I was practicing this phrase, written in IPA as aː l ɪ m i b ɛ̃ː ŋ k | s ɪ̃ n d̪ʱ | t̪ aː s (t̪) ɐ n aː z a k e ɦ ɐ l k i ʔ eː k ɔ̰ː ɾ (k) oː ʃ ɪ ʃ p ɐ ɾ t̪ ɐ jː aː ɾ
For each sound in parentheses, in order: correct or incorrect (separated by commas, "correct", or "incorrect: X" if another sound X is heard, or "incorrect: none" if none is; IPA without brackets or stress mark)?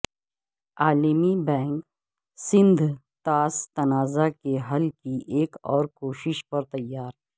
correct, correct